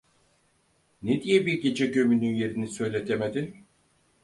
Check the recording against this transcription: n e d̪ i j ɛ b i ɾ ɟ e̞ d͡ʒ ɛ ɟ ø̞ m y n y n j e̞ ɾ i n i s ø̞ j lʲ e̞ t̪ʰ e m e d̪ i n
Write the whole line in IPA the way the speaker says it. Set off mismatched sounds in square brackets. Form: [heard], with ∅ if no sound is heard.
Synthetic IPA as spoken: n e d̪ i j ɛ b i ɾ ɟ e̞ d͡ʒ ɛ ɟ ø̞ m y n y n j e̞ ɾ i n i s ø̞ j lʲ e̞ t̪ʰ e m e d̪ i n

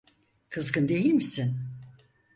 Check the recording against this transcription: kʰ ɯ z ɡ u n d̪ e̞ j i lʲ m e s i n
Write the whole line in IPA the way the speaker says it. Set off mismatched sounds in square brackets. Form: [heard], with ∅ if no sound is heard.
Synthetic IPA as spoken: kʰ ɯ z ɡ [ɯ] n d̪ e̞ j i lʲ m [i] s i n

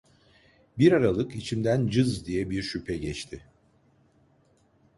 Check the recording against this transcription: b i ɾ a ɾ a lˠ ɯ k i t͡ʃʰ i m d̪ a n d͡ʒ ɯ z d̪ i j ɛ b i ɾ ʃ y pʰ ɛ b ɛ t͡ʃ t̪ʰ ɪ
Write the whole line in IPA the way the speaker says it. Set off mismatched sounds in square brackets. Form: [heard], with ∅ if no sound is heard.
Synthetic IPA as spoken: b i ɾ a ɾ a lˠ ɯ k i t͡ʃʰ i m d̪ [æ] n d͡ʒ ɯ z d̪ i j ɛ b i ɾ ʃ y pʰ ɛ [ɟ] ɛ t͡ʃ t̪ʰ ɪ

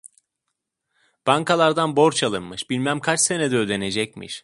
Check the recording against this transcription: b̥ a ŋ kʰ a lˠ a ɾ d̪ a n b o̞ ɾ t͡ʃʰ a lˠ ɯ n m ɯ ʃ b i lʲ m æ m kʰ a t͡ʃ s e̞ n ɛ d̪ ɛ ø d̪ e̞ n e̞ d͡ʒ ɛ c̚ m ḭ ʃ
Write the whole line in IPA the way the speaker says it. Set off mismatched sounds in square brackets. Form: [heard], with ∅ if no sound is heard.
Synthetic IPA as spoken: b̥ a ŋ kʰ a lˠ a ɾ d̪ a n b o̞ ɾ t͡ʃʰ a lˠ ɯ n m ɯ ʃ b i lʲ m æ m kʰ a t͡ʃ s e̞ n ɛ d̪ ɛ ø d̪ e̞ n e̞ d͡ʒ ɛ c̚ m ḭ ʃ

